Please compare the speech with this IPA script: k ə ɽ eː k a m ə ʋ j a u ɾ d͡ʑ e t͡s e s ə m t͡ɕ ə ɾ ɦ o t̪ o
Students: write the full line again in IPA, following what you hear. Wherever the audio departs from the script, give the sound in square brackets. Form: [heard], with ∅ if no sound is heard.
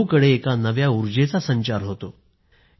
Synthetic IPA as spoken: k ə ɽ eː k a [n] ə ʋ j a u ɾ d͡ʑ e t͡s [a] s ə [ɲ] t͡ɕ [a] ɾ ɦ o t̪ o